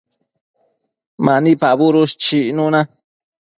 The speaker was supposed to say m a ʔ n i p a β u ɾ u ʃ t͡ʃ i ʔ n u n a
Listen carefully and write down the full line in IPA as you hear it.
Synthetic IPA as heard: m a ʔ n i p a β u ɾ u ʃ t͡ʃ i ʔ n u n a